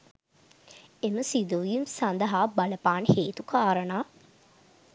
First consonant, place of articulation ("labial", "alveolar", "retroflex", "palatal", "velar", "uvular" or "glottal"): labial